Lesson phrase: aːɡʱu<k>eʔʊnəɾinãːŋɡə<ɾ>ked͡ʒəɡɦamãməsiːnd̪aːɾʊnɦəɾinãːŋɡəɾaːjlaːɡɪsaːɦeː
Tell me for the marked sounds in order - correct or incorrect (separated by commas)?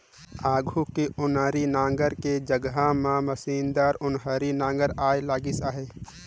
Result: correct, correct